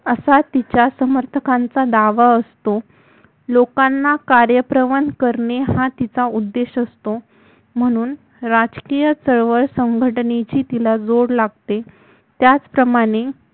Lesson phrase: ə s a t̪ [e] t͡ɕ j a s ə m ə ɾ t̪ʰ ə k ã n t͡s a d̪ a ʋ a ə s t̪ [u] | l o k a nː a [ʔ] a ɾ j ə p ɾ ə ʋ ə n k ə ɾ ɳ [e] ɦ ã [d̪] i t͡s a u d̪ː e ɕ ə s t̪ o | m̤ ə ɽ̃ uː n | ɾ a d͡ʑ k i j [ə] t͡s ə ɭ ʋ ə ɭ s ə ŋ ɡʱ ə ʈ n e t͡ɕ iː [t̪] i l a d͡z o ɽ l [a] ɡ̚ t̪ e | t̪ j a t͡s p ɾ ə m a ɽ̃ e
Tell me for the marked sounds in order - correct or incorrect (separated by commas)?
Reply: incorrect, incorrect, incorrect, correct, incorrect, correct, correct, correct